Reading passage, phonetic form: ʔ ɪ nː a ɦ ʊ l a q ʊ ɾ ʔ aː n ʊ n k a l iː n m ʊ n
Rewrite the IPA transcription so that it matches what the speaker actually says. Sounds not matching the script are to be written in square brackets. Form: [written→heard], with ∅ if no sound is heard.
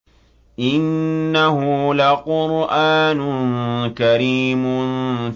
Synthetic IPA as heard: ʔ ɪ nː a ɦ ʊ l a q ʊ ɾ ʔ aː n ʊ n k a [l→ɾ] iː [n→∅] m ʊ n